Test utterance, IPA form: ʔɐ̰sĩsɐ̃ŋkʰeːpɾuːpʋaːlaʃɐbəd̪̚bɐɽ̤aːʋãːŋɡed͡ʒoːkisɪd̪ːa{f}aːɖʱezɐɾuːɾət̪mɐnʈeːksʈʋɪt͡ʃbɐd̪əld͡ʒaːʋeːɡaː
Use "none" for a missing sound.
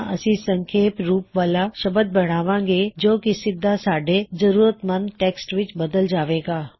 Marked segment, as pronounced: s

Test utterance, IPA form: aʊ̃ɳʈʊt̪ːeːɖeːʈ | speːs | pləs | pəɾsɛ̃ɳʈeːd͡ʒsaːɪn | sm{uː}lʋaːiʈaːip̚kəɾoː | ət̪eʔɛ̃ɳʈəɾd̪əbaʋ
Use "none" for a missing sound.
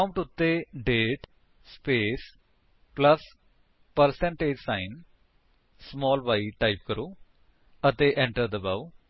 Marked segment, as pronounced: ɔː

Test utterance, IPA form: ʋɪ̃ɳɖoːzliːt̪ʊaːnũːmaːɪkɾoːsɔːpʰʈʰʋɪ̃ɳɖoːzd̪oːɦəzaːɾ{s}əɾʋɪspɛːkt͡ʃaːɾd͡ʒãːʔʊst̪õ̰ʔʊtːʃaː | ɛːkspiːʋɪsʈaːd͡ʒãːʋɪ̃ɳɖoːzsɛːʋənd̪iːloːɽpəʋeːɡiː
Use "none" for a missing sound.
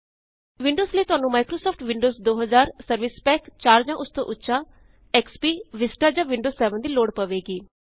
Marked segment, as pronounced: s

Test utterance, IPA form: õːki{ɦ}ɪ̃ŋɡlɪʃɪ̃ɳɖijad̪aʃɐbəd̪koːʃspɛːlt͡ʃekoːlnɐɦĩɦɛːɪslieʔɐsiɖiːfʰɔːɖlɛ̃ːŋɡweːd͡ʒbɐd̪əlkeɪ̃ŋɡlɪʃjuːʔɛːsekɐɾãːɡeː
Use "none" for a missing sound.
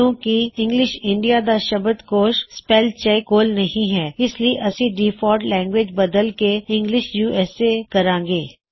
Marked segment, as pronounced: none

